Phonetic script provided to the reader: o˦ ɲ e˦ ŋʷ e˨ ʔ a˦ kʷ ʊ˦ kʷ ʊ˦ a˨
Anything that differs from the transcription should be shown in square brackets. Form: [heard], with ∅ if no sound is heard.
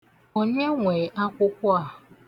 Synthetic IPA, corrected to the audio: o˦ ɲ e˦ ŋʷ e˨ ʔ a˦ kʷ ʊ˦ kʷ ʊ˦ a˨